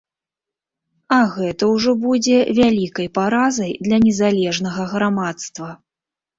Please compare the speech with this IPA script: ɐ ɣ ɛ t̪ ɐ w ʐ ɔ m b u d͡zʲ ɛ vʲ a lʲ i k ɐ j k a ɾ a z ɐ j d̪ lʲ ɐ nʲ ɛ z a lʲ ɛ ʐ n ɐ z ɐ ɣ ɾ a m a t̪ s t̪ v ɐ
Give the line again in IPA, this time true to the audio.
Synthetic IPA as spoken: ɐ ɣ ɛ t̪ ɐ w ʐ ɔ b u d͡zʲ ɛ vʲ a lʲ i k ɐ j p a ɾ a z ɐ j d̪ lʲ ɐ nʲ ɛ z a lʲ ɛ ʐ n ɐ ɣ ɐ ɣ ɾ a m a t̪ s t̪ v ɐ